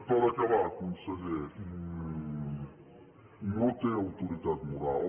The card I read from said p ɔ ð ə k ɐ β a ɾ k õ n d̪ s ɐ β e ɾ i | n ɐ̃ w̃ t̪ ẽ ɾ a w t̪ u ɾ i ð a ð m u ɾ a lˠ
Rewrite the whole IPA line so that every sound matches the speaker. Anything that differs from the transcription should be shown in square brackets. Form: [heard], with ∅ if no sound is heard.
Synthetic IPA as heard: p ɔ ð [ɐ] k ɐ β a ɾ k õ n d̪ s ɐ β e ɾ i | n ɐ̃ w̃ t̪ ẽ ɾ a w t̪ u ɾ i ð a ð m u ɾ a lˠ